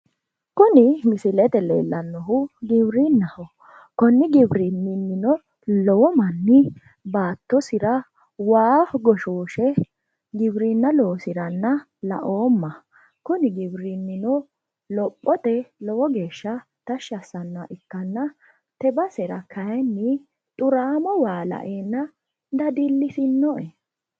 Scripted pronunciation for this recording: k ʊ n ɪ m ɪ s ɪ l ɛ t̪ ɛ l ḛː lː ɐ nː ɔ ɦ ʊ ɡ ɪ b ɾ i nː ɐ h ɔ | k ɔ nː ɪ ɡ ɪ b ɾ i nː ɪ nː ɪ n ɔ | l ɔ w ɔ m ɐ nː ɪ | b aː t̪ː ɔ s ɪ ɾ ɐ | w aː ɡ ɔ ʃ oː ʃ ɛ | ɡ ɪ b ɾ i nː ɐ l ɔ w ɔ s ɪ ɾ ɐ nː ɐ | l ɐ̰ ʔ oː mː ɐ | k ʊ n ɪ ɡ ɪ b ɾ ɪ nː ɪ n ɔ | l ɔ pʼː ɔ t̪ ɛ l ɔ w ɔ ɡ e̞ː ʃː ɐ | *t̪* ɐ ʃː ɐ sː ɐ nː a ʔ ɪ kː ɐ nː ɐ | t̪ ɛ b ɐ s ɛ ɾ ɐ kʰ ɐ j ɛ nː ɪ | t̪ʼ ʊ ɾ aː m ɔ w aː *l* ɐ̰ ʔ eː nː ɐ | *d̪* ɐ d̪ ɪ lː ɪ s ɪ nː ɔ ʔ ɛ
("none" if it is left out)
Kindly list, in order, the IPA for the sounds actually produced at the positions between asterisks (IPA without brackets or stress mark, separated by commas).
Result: t̪, l, d̪